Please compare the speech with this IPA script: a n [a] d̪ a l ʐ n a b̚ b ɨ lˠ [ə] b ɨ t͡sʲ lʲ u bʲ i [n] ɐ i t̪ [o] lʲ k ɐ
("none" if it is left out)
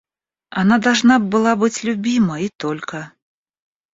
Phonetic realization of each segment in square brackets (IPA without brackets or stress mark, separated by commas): a, a, m, ɔ